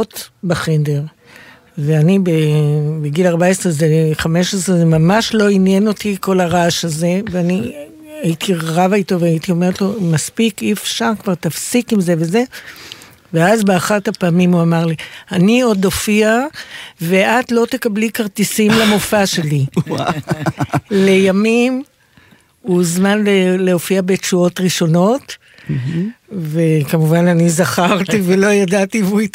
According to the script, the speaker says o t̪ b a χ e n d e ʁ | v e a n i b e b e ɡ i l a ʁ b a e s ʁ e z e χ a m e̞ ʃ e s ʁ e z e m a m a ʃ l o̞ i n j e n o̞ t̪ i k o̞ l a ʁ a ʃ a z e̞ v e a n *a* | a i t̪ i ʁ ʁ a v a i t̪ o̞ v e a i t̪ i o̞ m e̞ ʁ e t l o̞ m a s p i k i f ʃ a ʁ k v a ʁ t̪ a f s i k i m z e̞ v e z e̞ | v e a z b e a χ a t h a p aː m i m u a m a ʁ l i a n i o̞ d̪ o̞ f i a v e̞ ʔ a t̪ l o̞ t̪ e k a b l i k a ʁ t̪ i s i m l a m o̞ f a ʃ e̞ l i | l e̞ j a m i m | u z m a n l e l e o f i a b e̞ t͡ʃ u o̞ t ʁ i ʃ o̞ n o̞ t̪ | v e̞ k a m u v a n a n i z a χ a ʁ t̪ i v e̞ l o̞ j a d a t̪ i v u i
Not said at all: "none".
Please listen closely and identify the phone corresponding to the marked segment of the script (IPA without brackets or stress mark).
i